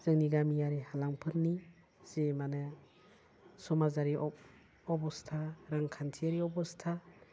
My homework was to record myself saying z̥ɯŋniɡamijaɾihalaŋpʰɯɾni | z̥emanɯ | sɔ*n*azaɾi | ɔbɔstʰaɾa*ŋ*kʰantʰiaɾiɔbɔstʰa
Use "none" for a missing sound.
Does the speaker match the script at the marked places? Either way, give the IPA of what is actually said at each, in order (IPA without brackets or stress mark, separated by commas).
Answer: m, ŋ